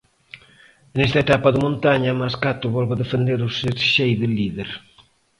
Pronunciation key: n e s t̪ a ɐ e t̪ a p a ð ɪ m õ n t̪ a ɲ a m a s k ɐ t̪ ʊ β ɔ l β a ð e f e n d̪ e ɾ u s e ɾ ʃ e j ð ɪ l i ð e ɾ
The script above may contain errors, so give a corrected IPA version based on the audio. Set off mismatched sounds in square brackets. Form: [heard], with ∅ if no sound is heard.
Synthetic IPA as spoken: n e s t̪ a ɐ e t̪ a p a ð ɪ m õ n t̪ a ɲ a m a s k [a] t̪ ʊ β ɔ l β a ð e f e n d̪ e ɾ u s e ɾ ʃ e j ð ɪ l i ð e ɾ

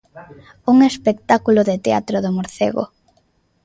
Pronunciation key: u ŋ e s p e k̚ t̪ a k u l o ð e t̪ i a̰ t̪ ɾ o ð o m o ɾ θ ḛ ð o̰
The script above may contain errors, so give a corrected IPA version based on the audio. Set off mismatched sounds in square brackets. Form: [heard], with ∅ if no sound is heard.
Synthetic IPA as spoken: u ŋ e s p e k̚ t̪ a k u l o ð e t̪ [e] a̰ t̪ ɾ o ð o m o ɾ θ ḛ [ɣ] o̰

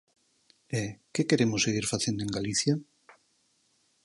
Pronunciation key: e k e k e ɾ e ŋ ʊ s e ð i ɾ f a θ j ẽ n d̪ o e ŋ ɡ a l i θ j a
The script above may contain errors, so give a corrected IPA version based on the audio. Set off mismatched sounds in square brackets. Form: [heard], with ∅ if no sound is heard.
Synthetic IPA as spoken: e k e k e ɾ e [m] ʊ s e [ɣ] i ɾ f a θ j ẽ n d̪ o e ŋ ɡ a l i θ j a

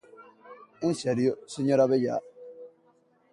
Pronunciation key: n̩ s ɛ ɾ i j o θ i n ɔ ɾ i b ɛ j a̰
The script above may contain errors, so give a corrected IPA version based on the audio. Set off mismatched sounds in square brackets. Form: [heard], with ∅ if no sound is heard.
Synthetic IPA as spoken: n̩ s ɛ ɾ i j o [s] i [ɲ] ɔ ɾ [a] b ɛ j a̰

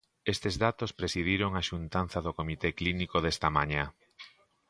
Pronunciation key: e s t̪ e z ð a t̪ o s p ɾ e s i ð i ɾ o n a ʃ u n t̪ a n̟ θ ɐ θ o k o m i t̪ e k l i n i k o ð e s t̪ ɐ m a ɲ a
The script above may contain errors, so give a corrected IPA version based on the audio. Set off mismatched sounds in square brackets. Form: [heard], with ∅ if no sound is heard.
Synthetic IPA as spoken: e s t̪ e z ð a t̪ o s p ɾ e s i ð i ɾ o [ŋ] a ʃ u n t̪ a n̟ θ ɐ [ð] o k o m i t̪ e k l i n i k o ð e s t̪ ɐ m a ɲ a

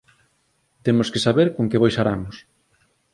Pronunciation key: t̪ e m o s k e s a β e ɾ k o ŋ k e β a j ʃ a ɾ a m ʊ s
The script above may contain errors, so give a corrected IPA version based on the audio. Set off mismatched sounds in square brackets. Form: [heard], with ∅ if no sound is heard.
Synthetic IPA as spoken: t̪ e m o s k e s a β e ɾ k o ŋ k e β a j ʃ a ɾ a m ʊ s

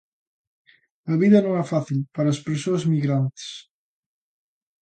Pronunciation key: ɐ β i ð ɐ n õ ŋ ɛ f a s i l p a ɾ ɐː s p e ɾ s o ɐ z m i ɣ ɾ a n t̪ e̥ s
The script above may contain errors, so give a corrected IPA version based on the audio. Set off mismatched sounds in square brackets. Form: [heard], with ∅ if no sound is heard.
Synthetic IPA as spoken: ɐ β i ð ɐ n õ ŋ ɛ f a [θ] i l p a ɾ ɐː s p e ɾ s o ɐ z m i ɣ ɾ a n t̪ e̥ s

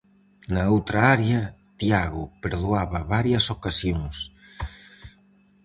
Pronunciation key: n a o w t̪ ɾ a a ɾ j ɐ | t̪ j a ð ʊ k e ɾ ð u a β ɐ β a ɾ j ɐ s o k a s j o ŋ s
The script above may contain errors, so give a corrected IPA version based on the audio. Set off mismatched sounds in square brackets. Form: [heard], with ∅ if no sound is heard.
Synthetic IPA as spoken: n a o w t̪ ɾ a a ɾ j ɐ | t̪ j a [ɣ] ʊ [p] e ɾ ð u a β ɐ β a ɾ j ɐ s o k a s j o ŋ s

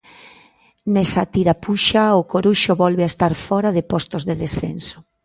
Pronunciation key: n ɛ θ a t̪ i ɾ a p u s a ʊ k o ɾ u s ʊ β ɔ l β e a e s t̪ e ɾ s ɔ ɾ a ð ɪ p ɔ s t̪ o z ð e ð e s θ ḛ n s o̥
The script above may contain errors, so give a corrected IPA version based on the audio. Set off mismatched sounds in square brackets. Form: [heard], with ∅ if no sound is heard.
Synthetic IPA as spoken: n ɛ [s] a t̪ i ɾ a p u [ʃ] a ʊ k o ɾ u [ʃ] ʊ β ɔ l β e a e s t̪ [a] ɾ [f] ɔ ɾ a ð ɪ p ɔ s t̪ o z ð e ð e s θ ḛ n s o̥

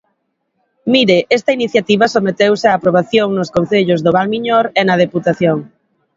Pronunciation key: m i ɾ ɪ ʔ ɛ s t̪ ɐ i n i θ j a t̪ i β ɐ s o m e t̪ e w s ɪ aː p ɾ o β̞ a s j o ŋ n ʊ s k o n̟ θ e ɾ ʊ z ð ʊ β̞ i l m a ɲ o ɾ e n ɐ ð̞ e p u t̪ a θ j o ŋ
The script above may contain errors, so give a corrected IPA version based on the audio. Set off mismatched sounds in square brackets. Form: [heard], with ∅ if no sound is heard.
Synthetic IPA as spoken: m i ɾ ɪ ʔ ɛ s t̪ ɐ i n i θ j a t̪ i β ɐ s o m e t̪ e w s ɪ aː p ɾ o β̞ a [θ] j o ŋ n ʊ s k o n̟ θ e [ʎ] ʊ z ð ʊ β̞ [a] l m [i] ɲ o ɾ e n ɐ ð̞ e p u t̪ a θ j o ŋ

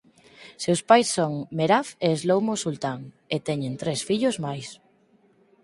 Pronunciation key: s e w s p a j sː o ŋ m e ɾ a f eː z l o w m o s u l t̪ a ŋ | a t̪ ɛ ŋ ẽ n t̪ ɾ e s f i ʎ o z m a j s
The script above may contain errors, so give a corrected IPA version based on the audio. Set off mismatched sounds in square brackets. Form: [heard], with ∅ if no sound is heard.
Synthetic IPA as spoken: s e w s p a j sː o ŋ m e ɾ a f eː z l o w m o s u l t̪ a ŋ | [e] t̪ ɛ [ɲ] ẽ n t̪ ɾ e s f i ʎ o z m a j s

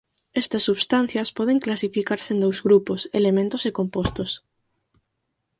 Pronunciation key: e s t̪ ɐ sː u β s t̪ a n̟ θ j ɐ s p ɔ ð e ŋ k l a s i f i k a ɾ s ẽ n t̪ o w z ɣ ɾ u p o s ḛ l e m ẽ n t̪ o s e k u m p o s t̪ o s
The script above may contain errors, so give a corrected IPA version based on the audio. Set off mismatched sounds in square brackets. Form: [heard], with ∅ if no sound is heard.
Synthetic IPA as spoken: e s t̪ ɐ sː u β s t̪ a n̟ θ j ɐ s p ɔ ð e ŋ k l a s i f i k a ɾ s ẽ n [d̪] o w z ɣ ɾ u p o s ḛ l e m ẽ n t̪ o s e k [o] m p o s t̪ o s

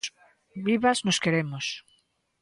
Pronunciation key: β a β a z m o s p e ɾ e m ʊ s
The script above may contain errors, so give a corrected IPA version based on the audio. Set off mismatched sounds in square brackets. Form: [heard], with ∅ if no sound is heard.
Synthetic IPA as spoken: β [i] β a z [n] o s [k] e ɾ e m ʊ s

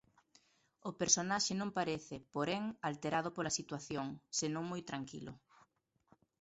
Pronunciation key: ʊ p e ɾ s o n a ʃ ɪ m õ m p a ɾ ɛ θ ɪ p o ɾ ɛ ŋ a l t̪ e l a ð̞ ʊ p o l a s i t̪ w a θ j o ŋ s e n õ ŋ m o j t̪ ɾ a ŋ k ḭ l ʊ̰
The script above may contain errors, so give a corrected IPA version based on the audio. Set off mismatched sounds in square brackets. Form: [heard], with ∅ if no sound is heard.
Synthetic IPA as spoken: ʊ p e ɾ s o n a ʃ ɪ [n] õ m p a ɾ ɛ θ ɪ p o ɾ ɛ ŋ a l t̪ e [ɾ] a ð̞ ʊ p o l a s i t̪ w a θ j o ŋ s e n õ ŋ m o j t̪ ɾ a ŋ k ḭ l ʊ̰

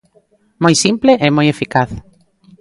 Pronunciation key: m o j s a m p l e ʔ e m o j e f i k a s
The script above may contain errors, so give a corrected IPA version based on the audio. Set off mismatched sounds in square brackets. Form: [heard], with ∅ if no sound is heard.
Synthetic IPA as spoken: m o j s [i] m p l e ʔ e m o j e f i k a [θ]

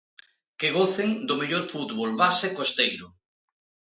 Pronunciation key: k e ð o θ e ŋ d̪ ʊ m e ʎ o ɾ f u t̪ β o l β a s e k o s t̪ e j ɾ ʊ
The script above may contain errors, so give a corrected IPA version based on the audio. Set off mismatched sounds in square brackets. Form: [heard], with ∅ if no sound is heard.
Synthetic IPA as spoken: k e [ɣ] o θ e ŋ d̪ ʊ m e ʎ o ɾ f u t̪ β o l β a s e k o s t̪ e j ɾ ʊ

